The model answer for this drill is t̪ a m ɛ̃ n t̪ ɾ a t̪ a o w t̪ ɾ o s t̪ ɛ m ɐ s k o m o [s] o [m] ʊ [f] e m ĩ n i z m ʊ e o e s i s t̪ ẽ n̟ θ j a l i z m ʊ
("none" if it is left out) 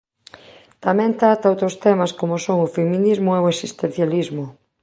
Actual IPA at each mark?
s, ŋ, f

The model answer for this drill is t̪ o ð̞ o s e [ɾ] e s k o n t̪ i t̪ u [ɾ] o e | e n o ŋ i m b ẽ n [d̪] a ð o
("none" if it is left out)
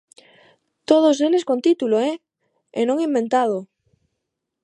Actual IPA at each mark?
l, l, t̪

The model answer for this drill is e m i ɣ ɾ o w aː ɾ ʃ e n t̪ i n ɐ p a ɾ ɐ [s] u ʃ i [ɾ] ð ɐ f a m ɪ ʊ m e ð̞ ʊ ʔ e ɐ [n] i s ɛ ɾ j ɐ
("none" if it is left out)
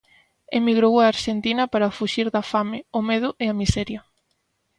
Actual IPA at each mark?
f, ɾ, m

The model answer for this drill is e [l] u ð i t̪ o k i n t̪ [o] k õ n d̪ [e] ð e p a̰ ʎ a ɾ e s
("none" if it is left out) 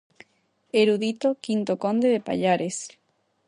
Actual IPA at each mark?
ɾ, o, e

